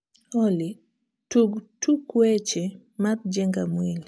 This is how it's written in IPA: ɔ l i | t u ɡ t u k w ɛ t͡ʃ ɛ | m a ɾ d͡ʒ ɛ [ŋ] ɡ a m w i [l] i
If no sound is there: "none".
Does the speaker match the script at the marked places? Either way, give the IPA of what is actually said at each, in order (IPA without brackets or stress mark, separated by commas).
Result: ŋ, l